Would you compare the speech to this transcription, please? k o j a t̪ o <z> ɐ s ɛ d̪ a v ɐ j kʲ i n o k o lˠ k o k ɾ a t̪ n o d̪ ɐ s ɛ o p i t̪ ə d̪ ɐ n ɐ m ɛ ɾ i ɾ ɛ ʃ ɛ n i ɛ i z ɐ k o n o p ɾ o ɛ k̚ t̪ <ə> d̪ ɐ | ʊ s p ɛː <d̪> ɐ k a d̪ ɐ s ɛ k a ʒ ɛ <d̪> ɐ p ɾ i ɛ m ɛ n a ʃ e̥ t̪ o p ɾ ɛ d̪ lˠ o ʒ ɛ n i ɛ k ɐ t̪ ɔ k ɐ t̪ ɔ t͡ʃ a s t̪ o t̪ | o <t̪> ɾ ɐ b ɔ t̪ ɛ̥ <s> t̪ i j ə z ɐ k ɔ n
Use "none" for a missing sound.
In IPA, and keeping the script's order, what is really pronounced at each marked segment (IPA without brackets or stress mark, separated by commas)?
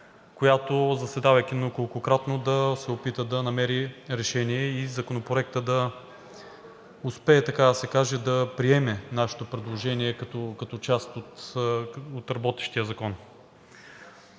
z, ə, t̪, d̪, t̪, ʃ